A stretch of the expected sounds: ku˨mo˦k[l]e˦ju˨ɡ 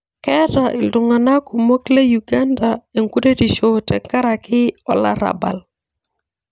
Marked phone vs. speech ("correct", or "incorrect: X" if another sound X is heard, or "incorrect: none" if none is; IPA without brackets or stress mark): correct